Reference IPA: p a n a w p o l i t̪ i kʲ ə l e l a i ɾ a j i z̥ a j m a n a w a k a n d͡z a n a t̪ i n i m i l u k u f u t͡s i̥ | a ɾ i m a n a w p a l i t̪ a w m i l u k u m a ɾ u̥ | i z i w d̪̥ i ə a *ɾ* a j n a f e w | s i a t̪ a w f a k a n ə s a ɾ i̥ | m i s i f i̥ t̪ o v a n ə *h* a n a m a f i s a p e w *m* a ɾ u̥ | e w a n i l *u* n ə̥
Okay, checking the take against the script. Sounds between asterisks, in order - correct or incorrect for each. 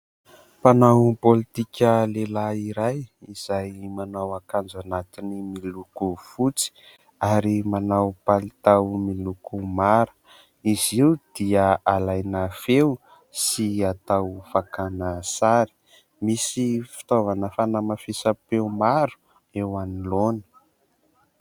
incorrect: l, incorrect: f, correct, incorrect: o

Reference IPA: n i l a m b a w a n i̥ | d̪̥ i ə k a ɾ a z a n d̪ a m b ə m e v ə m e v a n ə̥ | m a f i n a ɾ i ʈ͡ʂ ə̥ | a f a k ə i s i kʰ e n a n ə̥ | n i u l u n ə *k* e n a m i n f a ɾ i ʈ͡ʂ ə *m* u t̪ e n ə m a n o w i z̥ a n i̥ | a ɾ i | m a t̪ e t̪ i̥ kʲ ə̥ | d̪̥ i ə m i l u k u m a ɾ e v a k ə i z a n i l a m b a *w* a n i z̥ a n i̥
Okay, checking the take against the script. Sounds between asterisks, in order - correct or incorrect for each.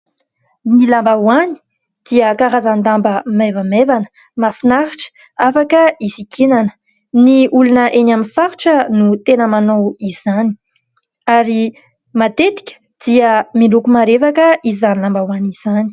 incorrect: ʔ, incorrect: n, correct

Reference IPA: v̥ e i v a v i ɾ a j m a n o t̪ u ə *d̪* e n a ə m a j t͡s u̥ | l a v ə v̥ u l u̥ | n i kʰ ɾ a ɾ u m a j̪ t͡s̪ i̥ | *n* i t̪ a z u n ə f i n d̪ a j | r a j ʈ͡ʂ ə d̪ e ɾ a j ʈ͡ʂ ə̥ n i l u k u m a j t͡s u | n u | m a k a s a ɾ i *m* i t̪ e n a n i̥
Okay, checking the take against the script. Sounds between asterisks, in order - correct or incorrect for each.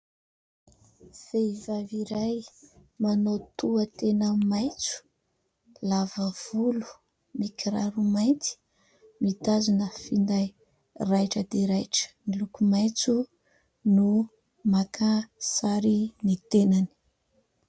incorrect: t̪, incorrect: m, incorrect: n

